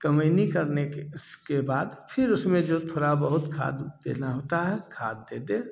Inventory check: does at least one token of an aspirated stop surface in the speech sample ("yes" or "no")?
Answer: yes